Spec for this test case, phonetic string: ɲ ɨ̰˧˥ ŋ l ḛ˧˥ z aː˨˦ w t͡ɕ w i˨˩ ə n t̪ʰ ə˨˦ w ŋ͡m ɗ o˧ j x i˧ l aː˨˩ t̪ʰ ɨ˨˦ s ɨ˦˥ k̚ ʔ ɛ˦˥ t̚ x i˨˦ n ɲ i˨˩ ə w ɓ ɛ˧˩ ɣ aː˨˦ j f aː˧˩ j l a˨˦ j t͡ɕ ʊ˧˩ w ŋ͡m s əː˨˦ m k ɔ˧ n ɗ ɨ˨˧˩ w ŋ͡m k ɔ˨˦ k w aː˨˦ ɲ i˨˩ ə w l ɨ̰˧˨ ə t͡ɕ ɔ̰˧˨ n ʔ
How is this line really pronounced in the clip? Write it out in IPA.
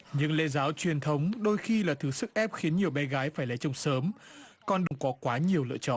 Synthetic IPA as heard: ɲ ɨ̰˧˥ ŋ l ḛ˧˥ z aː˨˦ w t͡ɕ w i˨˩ ə n t̪ʰ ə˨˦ w ŋ͡m ɗ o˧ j x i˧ l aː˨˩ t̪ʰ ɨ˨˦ s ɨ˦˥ k̚ ʔ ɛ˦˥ p̚ x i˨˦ n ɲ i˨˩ ə w ɓ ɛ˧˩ ɣ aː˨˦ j f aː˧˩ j l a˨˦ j t͡ɕ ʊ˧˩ w ŋ͡m s əː˨˦ m k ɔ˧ n ɗ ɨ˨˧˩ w ŋ͡m k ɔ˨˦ k w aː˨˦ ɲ i˨˩ ə w l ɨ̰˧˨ ə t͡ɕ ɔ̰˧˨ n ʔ